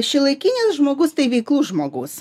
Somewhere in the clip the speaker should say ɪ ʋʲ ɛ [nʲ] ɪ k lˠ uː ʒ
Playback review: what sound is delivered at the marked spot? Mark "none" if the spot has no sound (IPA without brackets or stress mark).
none